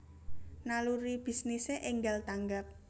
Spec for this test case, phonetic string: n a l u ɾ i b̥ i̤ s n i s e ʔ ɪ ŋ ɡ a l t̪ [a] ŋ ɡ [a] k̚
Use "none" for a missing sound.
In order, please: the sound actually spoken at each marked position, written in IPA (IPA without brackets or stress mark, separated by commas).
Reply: a, a